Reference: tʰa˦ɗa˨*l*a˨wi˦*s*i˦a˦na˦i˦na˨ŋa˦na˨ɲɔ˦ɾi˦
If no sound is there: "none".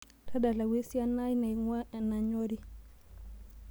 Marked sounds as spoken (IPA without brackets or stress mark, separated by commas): l, s